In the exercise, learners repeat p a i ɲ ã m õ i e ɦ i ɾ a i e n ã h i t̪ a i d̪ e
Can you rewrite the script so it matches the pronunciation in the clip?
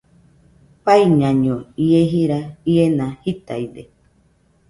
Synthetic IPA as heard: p a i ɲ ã ɲ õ i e ɦ i ɾ a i e n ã h i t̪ a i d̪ e